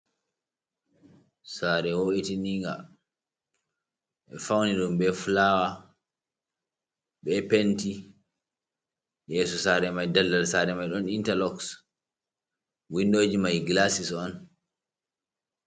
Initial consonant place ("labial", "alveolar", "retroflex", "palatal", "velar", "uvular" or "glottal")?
alveolar